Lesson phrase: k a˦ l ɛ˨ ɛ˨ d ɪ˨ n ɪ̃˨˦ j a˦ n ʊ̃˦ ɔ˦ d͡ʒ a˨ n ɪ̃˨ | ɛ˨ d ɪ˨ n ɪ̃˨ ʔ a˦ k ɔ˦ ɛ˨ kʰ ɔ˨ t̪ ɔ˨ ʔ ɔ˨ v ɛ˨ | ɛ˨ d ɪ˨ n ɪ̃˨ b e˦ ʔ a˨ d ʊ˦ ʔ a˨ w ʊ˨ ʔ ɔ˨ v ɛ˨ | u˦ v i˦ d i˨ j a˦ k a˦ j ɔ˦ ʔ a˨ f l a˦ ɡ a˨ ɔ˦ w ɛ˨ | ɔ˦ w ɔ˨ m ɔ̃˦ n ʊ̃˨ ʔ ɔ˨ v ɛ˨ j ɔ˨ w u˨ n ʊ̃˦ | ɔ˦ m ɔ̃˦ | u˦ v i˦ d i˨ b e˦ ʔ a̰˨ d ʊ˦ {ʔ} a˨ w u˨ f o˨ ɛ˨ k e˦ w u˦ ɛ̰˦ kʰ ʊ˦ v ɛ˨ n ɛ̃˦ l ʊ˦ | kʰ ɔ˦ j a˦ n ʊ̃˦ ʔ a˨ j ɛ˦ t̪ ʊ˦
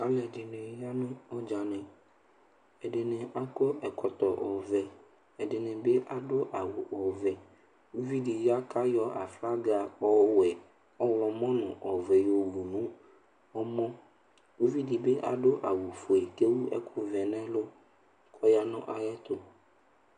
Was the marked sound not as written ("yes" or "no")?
no